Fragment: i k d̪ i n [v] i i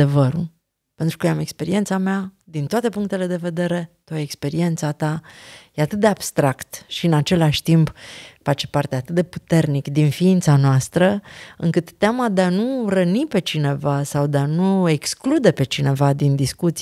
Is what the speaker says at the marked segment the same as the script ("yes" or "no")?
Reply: no